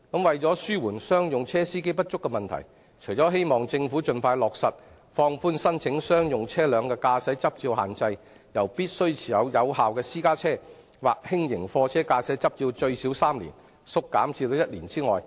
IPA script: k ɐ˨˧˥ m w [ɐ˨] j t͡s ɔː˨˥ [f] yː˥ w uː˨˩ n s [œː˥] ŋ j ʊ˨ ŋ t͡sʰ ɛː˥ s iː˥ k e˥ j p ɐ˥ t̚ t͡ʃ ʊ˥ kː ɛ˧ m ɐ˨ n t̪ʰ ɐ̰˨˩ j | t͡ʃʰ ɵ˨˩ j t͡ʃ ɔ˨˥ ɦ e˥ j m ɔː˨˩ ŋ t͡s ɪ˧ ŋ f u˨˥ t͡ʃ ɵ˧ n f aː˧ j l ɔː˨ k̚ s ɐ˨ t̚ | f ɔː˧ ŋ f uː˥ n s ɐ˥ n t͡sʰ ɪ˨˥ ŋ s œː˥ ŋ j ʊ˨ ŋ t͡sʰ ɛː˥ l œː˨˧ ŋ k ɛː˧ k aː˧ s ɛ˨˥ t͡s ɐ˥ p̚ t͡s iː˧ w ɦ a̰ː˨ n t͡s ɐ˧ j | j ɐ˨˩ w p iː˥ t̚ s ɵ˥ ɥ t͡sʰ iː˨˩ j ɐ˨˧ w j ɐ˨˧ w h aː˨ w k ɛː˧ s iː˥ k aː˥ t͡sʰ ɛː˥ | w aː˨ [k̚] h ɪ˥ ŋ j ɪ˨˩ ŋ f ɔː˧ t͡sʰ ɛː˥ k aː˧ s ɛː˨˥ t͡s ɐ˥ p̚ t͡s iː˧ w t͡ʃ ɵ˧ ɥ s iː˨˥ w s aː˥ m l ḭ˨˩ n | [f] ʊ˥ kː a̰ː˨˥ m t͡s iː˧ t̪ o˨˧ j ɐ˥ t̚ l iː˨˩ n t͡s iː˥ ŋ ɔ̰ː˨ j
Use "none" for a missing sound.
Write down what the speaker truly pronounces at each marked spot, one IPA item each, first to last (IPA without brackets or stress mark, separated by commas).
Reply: ɐ˨, s, œː˥, k̚, s